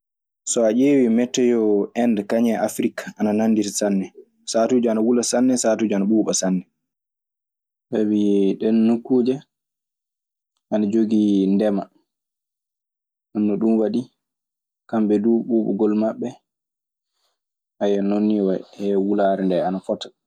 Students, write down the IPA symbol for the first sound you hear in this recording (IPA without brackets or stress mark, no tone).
s